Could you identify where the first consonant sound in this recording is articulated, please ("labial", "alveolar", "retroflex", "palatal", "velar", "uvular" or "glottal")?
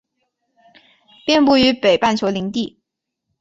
labial